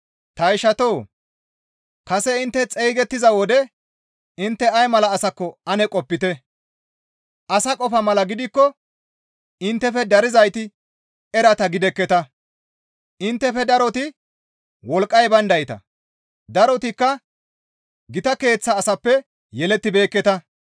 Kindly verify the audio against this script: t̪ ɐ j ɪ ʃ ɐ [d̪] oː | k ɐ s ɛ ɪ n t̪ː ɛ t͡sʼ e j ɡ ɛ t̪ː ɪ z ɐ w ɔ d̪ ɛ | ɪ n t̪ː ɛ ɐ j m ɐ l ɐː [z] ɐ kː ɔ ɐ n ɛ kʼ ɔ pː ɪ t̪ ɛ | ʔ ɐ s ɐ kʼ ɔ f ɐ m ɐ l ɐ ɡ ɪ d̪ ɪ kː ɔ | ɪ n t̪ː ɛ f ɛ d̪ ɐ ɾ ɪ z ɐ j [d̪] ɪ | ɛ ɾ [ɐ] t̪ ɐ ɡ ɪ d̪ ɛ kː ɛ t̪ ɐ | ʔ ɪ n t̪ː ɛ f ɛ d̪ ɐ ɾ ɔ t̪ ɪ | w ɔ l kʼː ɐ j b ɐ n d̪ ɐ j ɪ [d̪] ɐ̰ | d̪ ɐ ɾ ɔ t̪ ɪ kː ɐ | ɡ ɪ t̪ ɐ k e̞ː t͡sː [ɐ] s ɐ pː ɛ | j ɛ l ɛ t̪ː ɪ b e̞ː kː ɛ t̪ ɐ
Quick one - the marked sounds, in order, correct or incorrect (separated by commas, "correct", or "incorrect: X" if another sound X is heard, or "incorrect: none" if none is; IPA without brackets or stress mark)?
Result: incorrect: t̪, incorrect: s, incorrect: t̪, correct, incorrect: t̪, incorrect: ɐː